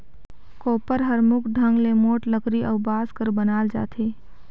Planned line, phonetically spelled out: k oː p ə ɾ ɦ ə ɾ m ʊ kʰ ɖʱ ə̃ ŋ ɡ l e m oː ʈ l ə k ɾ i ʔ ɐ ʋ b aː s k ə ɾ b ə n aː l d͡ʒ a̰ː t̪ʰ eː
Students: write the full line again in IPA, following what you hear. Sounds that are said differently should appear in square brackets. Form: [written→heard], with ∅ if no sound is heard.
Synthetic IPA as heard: k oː p ə ɾ ɦ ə ɾ m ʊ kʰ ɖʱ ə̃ ŋ ɡ l e m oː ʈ l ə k ɾ i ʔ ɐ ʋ b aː s k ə ɾ b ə n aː l d͡ʒ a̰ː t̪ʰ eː